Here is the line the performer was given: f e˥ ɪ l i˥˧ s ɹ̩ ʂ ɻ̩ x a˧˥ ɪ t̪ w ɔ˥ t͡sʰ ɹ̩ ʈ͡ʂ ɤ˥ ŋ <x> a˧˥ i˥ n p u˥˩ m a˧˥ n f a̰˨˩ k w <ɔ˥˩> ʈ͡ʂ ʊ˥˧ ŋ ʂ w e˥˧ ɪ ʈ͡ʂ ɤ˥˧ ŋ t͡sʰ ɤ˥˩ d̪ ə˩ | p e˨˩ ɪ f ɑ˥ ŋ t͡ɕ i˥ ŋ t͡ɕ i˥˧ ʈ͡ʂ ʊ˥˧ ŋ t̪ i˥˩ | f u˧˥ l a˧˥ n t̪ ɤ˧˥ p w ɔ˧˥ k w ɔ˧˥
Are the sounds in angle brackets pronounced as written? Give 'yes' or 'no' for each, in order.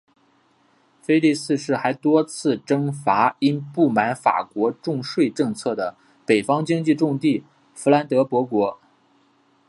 no, no

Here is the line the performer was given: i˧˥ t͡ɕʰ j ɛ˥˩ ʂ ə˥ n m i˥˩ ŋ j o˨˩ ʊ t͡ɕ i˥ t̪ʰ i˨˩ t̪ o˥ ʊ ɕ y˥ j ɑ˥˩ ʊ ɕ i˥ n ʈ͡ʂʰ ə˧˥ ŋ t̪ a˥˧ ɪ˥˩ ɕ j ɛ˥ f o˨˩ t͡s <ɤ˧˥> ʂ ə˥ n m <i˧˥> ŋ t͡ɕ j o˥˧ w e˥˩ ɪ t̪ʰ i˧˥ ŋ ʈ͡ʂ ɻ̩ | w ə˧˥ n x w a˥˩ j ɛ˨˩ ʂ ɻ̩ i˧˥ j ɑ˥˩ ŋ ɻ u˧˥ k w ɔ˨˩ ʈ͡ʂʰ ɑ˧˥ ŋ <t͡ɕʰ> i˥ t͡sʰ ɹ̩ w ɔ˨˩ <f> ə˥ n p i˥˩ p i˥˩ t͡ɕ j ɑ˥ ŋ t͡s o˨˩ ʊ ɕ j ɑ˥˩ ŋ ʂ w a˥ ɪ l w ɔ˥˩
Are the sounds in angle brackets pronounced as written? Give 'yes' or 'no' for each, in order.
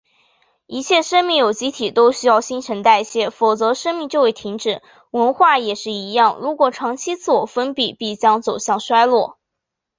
yes, no, yes, yes

